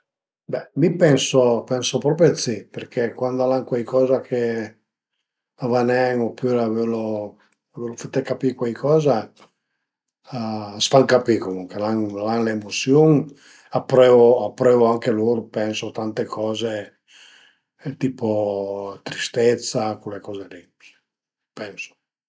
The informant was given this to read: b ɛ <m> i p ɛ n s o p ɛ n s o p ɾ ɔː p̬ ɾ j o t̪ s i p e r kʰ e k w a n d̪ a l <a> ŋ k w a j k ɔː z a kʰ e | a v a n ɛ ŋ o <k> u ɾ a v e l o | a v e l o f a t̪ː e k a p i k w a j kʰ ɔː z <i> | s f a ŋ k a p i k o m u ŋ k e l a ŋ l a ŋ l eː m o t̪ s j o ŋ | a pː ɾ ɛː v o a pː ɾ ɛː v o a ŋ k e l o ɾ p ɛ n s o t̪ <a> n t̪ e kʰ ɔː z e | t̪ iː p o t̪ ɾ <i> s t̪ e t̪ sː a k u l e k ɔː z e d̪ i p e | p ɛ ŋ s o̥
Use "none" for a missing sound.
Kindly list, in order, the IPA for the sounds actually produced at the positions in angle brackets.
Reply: m, a, p, a, a, i

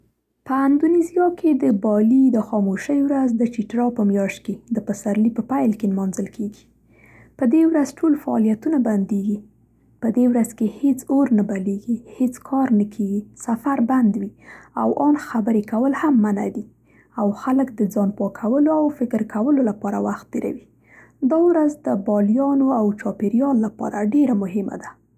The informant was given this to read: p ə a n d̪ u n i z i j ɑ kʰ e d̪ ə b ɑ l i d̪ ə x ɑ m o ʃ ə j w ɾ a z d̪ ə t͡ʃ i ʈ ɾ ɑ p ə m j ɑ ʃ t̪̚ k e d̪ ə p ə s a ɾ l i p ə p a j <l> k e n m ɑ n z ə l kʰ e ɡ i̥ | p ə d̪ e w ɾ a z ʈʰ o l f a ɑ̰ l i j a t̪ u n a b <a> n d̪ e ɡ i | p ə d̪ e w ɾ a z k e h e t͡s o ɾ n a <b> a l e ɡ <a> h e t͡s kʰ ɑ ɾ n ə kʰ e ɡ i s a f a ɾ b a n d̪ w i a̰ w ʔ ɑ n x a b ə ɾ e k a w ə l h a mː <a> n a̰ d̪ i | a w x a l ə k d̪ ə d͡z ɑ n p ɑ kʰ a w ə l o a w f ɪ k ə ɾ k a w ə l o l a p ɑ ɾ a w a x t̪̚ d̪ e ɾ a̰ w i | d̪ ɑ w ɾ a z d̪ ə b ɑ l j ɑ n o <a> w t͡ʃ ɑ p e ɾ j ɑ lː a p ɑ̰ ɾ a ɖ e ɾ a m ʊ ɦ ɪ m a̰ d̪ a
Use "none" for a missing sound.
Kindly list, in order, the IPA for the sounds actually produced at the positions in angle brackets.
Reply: l, a, b, i, a, a

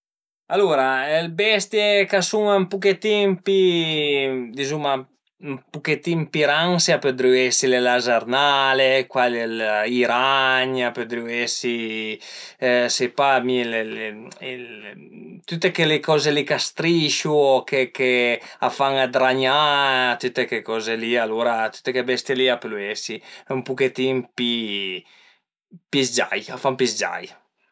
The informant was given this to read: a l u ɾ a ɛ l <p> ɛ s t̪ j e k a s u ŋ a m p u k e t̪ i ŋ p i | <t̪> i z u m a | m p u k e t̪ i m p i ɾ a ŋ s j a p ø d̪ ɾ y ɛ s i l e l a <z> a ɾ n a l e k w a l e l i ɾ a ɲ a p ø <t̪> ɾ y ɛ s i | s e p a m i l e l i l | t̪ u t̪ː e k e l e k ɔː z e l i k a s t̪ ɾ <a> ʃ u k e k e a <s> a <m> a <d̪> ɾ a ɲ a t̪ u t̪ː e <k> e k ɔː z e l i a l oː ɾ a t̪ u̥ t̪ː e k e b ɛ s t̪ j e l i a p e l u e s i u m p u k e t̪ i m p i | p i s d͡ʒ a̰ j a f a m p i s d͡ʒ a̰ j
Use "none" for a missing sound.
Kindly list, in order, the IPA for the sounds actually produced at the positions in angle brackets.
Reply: b, d̪, z, d̪, i, f, ŋ, d̪, k

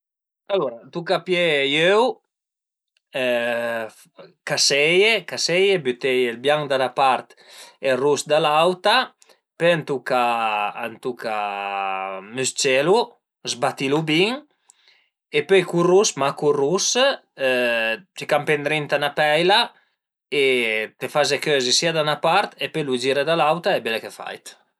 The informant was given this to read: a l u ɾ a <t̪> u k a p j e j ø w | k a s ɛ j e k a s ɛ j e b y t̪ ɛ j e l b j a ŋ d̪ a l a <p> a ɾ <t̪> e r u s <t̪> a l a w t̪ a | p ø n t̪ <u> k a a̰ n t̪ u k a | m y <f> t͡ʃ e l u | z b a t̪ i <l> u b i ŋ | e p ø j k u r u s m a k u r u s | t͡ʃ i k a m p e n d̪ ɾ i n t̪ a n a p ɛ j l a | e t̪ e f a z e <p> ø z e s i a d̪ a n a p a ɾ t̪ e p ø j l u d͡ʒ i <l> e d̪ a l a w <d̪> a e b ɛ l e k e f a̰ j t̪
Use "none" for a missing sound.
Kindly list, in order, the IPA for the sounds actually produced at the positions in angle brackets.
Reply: t̪, p, t̪, d̪, u, s, l, k, ɾ, t̪

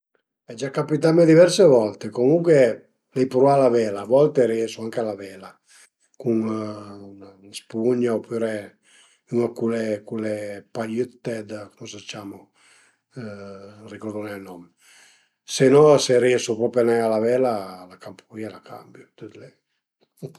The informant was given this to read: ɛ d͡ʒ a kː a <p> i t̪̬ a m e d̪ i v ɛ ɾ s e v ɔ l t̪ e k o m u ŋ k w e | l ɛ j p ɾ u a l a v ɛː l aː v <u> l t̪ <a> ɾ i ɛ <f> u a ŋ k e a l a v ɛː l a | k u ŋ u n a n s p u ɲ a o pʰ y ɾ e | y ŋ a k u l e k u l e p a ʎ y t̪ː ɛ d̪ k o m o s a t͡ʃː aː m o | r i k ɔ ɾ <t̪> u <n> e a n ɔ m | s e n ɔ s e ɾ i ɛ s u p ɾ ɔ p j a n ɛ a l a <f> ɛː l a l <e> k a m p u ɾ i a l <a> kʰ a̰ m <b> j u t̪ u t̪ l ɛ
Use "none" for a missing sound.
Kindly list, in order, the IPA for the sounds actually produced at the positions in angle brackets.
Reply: p, ɔ, e, s, d̪, n, v, a, a, b

